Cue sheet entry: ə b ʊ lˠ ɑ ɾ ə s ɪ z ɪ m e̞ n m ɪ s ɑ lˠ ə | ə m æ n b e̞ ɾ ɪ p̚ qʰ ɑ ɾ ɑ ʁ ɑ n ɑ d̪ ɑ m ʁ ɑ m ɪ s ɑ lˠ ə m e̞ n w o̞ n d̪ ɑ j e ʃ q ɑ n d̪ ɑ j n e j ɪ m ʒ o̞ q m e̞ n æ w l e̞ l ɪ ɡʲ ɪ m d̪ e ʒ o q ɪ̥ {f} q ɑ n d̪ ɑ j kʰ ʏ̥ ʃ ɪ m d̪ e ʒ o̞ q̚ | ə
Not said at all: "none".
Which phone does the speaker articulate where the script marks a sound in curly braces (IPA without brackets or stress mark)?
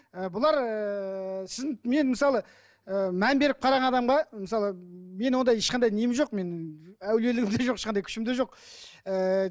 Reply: ʃ